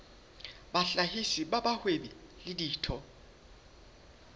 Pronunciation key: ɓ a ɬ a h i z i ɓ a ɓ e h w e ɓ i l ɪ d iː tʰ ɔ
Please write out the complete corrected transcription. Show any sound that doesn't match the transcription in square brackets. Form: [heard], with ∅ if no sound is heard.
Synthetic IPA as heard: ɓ a ɬ a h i [s] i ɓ a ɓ [a] h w e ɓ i l ɪ d iː tʰ ɔ